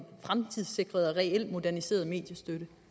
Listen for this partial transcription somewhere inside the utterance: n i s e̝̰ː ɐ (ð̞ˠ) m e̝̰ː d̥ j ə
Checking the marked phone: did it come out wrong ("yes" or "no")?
no